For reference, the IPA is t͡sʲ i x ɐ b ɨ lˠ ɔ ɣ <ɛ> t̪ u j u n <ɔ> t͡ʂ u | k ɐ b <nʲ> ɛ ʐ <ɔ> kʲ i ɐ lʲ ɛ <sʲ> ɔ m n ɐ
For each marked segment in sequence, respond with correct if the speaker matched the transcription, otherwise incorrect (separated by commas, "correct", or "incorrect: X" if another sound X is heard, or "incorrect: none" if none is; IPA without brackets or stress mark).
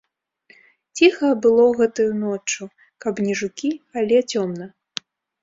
correct, correct, correct, incorrect: u, incorrect: t͡sʲ